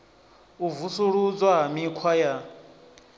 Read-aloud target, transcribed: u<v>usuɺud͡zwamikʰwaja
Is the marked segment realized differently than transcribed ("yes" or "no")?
no